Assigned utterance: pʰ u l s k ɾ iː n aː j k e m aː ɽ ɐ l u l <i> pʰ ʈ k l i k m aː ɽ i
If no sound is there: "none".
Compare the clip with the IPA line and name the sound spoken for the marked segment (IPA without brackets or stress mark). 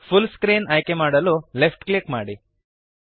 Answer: e